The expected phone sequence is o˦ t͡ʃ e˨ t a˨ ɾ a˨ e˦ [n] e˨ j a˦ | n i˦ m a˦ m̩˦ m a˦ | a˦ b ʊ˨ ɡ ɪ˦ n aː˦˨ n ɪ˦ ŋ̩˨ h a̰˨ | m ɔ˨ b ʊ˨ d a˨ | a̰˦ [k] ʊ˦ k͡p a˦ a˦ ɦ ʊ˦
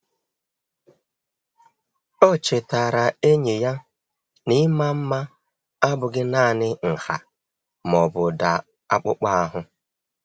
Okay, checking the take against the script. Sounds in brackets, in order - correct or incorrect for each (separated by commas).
incorrect, incorrect